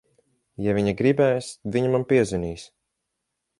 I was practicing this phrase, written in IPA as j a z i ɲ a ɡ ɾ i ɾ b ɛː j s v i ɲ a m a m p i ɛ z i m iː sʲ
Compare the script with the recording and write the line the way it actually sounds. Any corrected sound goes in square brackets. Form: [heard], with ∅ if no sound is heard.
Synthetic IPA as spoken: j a [v] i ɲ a ɡ ɾ i [∅] b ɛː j s v i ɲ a m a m p i ɛ z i [n] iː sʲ

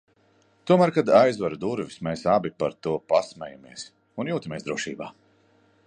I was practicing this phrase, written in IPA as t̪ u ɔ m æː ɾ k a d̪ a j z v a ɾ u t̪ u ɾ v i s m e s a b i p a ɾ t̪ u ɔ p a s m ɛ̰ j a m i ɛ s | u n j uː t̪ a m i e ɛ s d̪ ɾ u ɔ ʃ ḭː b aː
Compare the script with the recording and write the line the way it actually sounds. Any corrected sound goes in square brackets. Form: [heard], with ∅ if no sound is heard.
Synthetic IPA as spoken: t̪ u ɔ m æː ɾ k a d̪ a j z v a ɾ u [d̪] u ɾ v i s m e s a b i p a ɾ t̪ u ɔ p a s m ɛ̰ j a m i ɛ s | u n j uː t̪ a m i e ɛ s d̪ ɾ u ɔ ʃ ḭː b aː

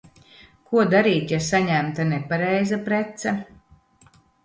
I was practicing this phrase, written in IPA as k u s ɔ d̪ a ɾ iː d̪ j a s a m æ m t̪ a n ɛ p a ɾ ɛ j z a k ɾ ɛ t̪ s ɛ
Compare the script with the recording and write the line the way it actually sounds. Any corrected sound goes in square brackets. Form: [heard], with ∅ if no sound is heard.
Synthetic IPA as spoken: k u [∅] ɔ d̪ a ɾ iː [t̪] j a s a [ɲ] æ m t̪ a n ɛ p a ɾ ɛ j z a [p] ɾ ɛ t̪ s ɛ

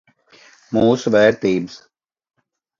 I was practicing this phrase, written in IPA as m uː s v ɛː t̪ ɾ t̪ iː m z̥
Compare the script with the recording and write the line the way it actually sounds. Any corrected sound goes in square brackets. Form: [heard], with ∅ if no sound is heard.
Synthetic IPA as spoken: m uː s [ʋ] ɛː [∅] ɾ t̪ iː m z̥

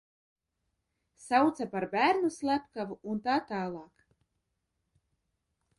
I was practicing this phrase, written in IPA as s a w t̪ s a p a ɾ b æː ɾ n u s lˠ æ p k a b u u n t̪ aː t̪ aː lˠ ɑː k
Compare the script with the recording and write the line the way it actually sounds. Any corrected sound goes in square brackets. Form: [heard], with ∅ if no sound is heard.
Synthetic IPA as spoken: s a w t̪ s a p a ɾ b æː ɾ n u s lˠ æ p k a [v] u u n t̪ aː t̪ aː lˠ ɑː k

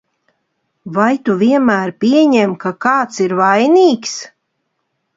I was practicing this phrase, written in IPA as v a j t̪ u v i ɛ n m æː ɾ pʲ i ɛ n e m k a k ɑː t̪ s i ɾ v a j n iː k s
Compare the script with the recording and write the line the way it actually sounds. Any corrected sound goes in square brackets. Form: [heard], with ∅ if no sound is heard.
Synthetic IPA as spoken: v a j t̪ u v i ɛ n m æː ɾ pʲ i ɛ [ɲ] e m k a k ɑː t̪ s i ɾ v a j n iː k s

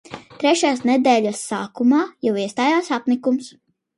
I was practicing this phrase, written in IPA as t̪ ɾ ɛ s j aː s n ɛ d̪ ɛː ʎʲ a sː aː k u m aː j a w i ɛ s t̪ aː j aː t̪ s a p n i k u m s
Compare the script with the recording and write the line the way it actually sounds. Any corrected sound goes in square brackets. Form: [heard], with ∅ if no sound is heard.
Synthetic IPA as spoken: t̪ ɾ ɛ [ʃ] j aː s n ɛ d̪ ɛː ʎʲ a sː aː k u m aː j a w i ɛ s t̪ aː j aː [∅] s a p n i k u m s

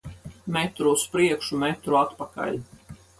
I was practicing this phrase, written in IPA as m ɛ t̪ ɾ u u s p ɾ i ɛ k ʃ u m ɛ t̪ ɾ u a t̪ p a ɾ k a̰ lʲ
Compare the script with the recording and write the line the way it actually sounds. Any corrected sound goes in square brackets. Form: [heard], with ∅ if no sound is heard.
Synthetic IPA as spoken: m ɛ t̪ ɾ u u s p ɾ i ɛ k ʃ u m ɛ t̪ ɾ u a t̪ p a [∅] k a̰ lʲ

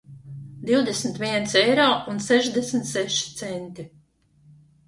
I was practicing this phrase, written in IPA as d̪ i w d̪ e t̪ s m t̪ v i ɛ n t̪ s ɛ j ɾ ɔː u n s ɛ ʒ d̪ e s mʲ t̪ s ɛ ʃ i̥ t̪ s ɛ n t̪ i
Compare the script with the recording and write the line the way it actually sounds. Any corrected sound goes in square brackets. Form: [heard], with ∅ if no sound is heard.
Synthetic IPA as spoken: d̪ i w d̪ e [∅] s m t̪ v i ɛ n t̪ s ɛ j ɾ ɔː u n s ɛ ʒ d̪ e s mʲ t̪ s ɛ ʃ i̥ t̪ s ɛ n t̪ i

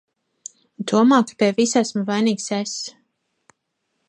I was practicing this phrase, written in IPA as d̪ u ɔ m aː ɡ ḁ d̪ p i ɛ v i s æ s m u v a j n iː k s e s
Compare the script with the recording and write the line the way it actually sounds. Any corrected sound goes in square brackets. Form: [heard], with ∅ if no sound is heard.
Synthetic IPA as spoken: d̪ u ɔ m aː [k] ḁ [∅] p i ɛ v i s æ s m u v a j n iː k s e s

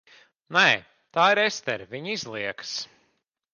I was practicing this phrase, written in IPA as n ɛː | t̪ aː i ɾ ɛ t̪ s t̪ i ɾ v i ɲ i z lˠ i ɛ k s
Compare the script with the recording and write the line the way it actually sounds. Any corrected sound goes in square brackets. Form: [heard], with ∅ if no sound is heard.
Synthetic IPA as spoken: n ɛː | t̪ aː i ɾ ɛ [∅] s t̪ [ɛ] ɾ v i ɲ i z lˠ i ɛ k s

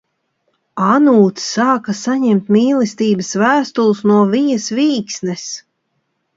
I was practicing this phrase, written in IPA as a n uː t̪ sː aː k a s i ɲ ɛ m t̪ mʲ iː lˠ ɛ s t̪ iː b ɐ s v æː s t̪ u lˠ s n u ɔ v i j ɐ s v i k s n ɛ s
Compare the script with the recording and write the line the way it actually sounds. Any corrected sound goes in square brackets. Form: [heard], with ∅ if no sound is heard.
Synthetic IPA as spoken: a n uː t̪ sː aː k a s [a] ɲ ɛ m t̪ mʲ iː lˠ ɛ s t̪ iː b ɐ s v æː s t̪ u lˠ s n u ɔ v i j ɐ s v [iː] k s n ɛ s

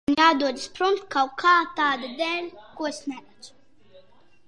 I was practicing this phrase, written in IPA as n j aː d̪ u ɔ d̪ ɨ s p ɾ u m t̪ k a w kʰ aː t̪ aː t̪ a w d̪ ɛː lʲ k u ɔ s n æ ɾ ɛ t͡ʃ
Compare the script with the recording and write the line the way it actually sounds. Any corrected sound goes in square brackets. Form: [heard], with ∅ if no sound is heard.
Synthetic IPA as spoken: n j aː d̪ u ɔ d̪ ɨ s p ɾ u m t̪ k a w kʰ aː t̪ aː [d̪] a [∅] d̪ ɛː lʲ k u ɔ s n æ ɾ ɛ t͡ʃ

